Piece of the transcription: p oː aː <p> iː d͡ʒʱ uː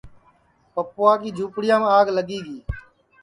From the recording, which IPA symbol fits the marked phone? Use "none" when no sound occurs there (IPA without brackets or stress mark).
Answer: k